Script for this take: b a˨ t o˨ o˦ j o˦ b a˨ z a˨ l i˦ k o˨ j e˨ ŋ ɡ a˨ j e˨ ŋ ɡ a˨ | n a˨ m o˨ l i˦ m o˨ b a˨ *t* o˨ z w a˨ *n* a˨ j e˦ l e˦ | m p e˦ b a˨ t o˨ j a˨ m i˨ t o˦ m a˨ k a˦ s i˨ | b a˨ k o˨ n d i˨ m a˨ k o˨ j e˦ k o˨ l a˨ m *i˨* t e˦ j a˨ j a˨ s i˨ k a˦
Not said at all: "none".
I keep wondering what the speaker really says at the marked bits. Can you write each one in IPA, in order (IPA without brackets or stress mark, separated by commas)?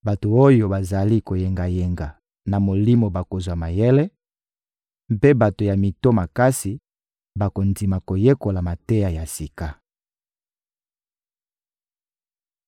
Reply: k, m, a˨